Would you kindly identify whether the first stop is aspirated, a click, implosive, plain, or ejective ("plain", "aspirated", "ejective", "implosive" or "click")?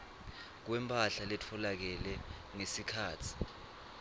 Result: plain